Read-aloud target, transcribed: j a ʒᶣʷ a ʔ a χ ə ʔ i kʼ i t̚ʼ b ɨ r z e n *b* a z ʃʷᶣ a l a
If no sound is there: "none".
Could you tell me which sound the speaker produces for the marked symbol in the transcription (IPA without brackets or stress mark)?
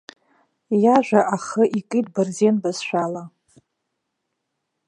b